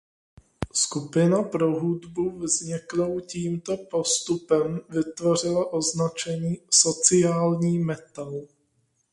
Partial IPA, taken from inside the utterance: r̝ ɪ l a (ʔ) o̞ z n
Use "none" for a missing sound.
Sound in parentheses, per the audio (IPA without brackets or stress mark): ʔ